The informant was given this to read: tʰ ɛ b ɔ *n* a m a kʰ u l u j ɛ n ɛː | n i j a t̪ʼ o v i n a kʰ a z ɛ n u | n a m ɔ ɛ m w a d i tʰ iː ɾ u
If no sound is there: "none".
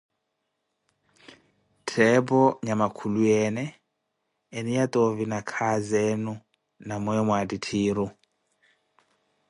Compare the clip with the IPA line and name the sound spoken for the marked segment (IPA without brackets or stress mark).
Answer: ɲ